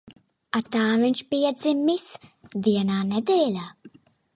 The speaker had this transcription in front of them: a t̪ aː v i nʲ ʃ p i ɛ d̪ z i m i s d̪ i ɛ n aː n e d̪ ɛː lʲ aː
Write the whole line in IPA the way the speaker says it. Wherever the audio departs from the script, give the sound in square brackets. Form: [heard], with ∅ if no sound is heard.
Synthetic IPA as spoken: a t̪ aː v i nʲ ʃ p i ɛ d̪ z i m i s d̪ i ɛ n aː n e d̪ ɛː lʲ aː